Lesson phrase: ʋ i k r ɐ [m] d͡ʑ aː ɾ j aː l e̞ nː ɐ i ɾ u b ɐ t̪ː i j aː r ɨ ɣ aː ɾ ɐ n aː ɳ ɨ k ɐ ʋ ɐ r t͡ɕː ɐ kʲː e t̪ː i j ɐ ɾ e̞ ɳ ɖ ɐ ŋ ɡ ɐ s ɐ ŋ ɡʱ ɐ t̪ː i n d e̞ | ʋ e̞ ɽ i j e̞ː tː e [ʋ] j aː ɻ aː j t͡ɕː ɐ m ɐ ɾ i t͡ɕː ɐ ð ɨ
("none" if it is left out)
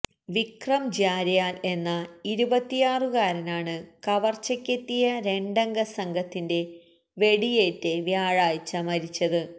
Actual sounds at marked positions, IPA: m, ʋ

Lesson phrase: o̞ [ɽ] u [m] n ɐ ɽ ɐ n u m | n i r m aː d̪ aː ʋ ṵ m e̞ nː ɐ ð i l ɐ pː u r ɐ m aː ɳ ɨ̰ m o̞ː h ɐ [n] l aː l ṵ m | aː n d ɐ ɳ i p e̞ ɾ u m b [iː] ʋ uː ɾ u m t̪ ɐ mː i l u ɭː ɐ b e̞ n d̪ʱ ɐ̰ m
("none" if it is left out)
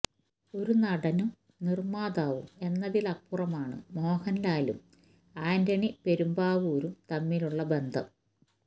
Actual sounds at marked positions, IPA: ɾ, none, n, aː

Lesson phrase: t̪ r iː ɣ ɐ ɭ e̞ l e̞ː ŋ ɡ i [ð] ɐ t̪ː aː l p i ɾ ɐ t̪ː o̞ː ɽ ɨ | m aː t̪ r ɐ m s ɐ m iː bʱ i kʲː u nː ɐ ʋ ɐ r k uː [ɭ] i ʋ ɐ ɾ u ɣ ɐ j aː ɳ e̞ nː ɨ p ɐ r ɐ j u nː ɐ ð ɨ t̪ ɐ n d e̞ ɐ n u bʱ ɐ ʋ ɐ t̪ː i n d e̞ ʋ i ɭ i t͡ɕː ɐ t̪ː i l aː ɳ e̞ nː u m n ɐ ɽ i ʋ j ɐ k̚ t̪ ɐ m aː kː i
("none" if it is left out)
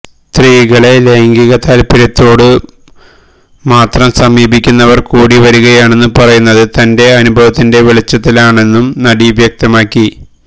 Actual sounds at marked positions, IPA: ɣ, ɽ

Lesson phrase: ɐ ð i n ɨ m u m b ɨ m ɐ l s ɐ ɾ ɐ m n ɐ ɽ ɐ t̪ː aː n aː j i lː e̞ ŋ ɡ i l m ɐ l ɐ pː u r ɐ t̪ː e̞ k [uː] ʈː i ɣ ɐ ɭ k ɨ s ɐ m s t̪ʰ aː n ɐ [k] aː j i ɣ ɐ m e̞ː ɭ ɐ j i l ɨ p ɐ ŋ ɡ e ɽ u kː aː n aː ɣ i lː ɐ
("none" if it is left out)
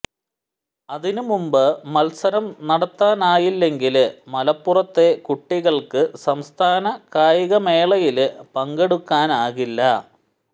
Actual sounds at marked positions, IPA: u, k

